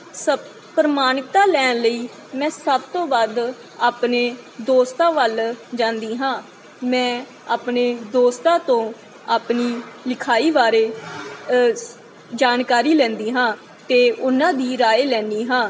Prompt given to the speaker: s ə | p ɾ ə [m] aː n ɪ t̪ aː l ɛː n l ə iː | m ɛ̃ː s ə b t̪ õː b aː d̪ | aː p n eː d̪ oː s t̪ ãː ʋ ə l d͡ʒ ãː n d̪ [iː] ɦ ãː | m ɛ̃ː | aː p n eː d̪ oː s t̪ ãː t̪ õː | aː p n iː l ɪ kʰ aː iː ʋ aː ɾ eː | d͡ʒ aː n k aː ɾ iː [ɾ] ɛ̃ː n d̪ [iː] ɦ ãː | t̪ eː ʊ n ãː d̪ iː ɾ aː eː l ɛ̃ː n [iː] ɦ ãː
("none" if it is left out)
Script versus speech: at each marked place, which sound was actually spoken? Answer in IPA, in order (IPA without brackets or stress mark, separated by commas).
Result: m, iː, l, iː, iː